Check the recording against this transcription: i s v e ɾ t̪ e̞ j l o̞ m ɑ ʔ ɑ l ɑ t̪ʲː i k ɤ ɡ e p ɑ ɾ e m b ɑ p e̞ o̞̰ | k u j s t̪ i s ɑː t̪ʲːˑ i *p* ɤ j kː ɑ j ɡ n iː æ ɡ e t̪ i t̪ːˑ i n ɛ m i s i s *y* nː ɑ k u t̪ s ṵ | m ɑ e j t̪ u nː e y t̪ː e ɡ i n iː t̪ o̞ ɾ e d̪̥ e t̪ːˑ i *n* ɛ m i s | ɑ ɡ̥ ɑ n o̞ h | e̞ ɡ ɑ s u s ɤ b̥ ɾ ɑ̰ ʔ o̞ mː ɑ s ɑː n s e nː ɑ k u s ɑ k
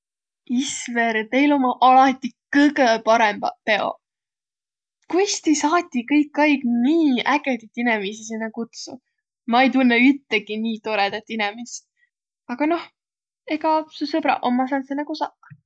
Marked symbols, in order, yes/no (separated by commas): no, no, yes